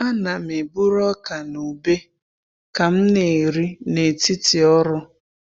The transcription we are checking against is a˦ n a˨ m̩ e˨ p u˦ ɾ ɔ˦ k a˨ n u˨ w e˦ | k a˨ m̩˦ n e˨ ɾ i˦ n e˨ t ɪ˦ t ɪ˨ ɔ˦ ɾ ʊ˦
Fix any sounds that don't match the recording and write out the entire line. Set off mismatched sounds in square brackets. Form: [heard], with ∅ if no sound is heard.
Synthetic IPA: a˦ n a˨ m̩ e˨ [b] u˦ ɾ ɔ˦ k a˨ n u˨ [b] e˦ | k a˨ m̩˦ n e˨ ɾ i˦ n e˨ t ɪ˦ t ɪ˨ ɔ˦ ɾ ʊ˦